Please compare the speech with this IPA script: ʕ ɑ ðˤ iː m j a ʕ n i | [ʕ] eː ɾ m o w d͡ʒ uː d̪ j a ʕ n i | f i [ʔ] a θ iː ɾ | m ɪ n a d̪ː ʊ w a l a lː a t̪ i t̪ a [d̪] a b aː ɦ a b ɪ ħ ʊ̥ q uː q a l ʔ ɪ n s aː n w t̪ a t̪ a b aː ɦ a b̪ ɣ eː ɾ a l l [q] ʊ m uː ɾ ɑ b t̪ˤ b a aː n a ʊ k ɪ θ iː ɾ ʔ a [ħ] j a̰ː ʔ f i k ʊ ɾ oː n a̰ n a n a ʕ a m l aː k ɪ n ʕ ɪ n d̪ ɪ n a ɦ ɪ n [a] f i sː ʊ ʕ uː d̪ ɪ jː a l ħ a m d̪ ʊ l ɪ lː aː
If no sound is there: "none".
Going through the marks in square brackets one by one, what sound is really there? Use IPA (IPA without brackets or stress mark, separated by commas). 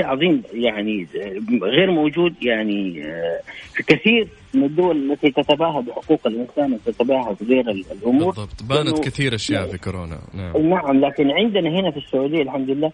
ɣ, k, t̪, ʔ, ʃ, a